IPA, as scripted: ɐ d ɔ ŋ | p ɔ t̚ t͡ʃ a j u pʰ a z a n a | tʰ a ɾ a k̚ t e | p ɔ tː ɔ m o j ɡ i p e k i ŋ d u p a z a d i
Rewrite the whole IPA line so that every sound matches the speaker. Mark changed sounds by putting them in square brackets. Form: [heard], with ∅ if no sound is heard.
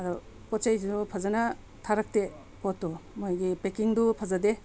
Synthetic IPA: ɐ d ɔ [∅] | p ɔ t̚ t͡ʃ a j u pʰ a z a n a | tʰ a ɾ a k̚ t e | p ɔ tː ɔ m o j ɡ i p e k i ŋ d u [pʰ] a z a d [e]